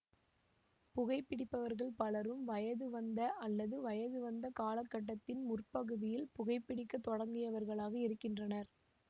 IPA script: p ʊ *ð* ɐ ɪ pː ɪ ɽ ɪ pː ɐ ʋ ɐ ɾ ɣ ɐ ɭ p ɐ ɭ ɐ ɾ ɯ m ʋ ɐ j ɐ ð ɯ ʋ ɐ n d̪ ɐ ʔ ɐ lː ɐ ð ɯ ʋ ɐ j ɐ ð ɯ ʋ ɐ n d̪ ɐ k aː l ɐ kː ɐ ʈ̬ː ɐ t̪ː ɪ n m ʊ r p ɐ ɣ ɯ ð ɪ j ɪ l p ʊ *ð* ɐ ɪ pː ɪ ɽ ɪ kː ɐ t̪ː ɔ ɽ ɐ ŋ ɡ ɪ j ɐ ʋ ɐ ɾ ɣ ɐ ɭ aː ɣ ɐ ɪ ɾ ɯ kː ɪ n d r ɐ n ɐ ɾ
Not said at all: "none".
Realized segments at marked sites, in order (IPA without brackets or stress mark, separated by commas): ɣ, ɣ